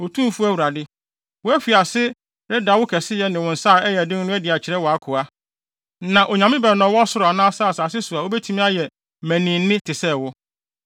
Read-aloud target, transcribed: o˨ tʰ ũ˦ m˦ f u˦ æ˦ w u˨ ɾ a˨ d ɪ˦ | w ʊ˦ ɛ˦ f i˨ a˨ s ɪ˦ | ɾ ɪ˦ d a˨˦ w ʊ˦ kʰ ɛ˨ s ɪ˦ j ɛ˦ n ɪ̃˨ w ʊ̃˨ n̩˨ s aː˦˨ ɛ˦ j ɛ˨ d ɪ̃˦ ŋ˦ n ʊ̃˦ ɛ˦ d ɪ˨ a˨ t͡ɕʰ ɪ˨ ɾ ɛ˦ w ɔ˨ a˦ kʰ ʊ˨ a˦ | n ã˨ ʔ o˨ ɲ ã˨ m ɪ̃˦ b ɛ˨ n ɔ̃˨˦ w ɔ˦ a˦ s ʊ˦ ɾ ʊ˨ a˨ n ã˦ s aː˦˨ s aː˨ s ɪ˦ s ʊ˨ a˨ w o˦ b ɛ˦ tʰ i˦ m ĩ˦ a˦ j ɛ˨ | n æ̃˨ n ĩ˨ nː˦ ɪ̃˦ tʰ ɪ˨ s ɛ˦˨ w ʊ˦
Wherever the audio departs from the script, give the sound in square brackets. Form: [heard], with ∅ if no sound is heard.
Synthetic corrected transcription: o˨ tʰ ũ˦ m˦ f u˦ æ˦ w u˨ ɾ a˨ d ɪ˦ | w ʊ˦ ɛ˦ f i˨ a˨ s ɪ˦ | ɾ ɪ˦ d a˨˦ w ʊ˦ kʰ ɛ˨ s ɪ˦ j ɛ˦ n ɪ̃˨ w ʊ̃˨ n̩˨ s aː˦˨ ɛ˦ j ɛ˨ d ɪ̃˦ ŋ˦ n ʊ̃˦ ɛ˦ d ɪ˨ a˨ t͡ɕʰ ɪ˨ ɾ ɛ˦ w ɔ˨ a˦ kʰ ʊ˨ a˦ | n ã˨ ʔ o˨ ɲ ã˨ m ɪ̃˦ b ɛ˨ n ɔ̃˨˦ w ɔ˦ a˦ s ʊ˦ ɾ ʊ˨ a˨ n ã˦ s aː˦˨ s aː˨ s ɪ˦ s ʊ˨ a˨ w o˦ b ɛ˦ tʰ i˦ m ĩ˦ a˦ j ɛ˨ | [m] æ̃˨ n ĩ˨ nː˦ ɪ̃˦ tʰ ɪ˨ s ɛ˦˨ w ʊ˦